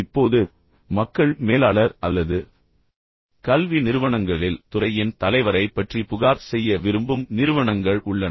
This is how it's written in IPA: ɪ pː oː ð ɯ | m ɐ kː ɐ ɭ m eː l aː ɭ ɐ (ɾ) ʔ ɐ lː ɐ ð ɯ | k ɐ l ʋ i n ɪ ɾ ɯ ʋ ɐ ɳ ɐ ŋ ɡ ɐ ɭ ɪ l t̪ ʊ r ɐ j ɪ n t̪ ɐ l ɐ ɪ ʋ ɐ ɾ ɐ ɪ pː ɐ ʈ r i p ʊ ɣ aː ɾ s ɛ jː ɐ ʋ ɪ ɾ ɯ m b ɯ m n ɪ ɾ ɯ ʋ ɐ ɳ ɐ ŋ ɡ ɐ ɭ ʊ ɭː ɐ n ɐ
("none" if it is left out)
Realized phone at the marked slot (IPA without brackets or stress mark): ɾ